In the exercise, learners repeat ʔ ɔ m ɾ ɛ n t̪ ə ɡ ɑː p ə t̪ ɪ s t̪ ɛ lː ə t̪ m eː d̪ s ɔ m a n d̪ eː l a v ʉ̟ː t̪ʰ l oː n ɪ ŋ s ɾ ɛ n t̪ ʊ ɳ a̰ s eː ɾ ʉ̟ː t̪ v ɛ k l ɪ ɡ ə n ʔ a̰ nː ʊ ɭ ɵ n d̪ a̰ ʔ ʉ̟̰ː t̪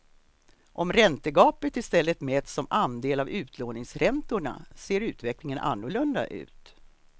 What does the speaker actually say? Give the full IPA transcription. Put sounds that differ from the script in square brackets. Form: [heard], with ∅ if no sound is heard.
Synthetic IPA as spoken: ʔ ɔ m ɾ ɛ n t̪ ə ɡ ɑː p ə t̪ ɪ s t̪ ɛ lː ə t̪ m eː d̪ s ɔ m a n d̪ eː l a v ʉ̟ː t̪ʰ l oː n ɪ ŋ s ɾ ɛ n t̪ ʊ ɳ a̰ s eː ɾ ʉ̟ː t̪ v ɛ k l ɪ [ŋ] ə n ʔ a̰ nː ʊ ɭ ɵ n d̪ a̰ ʔ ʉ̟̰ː t̪